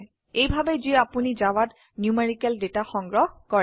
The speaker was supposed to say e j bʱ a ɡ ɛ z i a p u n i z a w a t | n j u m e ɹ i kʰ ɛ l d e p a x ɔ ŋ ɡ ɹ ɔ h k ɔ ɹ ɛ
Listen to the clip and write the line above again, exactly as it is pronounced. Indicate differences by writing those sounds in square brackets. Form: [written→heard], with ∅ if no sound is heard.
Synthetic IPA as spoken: e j bʱ a [ɡ→b] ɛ z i a p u n i z a w a t | n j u m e ɹ i [kʰ→k] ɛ l d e [p→t] a x ɔ ŋ ɡ ɹ ɔ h k ɔ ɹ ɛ